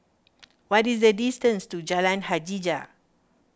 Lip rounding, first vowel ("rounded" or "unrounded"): rounded